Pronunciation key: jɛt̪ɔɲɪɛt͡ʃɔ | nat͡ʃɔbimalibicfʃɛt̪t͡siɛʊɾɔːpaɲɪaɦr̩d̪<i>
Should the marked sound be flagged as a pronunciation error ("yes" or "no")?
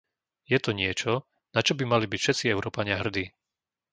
yes